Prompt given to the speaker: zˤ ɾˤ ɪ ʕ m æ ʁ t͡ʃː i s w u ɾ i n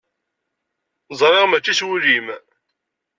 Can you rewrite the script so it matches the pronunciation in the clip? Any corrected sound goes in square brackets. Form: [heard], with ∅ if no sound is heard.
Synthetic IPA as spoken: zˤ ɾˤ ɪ [ʁ] m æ [∅] t͡ʃː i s w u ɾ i [m]